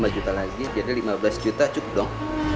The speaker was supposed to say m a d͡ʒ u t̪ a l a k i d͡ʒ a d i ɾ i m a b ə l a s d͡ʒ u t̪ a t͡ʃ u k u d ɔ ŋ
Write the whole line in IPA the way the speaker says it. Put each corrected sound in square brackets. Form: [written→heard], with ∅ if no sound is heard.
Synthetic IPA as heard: m a d͡ʒ u t̪ a l a [k→ɡ] i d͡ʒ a d i [ɾ→l] i m a b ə l a s d͡ʒ u t̪ a t͡ʃ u k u d ɔ ŋ